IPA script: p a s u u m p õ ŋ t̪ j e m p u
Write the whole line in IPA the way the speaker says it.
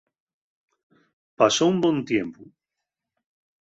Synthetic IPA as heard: p a s o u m b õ n t̪ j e m p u

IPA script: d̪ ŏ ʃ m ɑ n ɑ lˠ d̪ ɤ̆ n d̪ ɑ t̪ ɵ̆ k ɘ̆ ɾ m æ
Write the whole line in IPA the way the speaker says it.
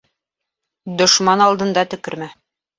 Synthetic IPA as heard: d̪ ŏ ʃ m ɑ n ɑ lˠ d̪ ɤ̆ n d̪ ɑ t̪ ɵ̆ k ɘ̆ ɾ m æ

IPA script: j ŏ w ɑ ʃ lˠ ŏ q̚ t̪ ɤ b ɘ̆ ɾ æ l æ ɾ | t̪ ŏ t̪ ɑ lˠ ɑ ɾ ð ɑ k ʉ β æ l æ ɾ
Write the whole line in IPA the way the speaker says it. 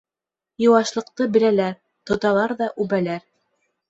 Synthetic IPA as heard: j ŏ w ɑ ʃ lˠ ɤ̆ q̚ t̪ ɤ b ɘ̆ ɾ æ l æ ɾ | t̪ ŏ t̪ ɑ lˠ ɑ ɾ ð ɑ ʔ ʉ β æ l æ ɾ

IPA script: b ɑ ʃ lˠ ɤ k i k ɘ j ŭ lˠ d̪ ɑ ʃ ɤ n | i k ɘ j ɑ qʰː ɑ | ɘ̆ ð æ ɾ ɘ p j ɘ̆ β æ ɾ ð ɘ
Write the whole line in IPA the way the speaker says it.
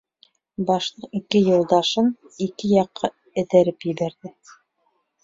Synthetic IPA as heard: b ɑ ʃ lˠ ɤ q i k ɘ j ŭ lˠ d̪ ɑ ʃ ɤ n | i k ɘ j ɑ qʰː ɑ | ɘ̆ ð æ ɾ ɘ p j ɘ̆ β æ ɾ ð ɘ

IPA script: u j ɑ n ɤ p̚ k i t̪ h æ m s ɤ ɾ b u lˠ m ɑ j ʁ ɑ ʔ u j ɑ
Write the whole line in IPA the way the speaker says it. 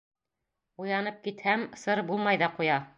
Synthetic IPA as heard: u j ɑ n ɤ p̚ k i t̪ h æ m s ɤ ɾ b u lˠ m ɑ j ð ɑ q u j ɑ

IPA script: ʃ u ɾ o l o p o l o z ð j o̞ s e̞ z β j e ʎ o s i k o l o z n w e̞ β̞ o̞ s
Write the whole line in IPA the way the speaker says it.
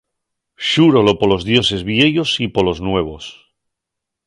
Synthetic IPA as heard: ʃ u ɾ o l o p o l o z ð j o̞ s e̞ z β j e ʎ o s i p o l o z n w e̞ β̞ o̞ s

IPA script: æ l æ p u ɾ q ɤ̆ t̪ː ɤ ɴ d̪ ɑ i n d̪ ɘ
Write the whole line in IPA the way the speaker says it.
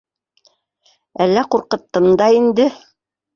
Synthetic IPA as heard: æ lː æ q u ɾ q ɤ̆ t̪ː ɤ m d̪ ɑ i n d̪ ɘ

